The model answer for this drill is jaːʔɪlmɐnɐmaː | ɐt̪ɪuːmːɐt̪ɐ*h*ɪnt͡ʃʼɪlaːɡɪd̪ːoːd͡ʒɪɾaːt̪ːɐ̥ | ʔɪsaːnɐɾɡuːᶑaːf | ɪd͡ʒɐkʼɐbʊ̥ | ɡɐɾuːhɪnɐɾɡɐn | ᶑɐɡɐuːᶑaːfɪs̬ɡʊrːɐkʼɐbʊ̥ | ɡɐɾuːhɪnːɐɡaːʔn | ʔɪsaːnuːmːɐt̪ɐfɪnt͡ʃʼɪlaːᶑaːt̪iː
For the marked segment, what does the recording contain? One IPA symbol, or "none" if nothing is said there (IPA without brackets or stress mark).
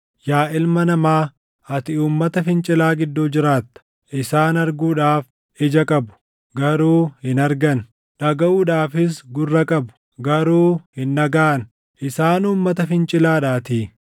f